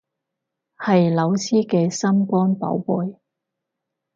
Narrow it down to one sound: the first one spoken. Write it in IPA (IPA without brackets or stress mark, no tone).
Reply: h